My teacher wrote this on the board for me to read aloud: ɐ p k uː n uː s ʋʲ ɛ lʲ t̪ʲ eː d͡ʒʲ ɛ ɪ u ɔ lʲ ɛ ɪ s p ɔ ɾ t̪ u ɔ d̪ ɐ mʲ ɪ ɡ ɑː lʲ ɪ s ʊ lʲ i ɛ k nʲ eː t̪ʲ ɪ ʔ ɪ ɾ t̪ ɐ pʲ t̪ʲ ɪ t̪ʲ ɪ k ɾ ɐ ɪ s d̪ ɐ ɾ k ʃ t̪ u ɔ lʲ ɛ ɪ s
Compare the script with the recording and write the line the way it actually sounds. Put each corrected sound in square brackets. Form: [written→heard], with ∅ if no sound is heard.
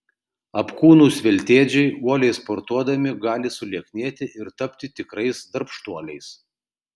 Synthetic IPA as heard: ɐ p k uː n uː s ʋʲ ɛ lʲ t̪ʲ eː d͡ʒʲ ɛ ɪ u ɔ lʲ ɛ ɪ s p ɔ ɾ t̪ u ɔ d̪ ɐ mʲ ɪ ɡ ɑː lʲ ɪ s ʊ lʲ i ɛ k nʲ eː t̪ʲ ɪ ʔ ɪ ɾ t̪ ɐ pʲ t̪ʲ ɪ t̪ʲ ɪ k ɾ ɐ ɪ s d̪ ɐ ɾ [k→p] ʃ t̪ u ɔ lʲ ɛ ɪ s